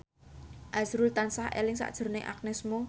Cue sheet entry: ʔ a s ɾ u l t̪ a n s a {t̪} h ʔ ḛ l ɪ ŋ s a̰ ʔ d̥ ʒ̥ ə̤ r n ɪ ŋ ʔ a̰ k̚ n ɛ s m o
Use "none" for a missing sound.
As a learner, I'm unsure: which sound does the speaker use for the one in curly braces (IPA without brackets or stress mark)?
none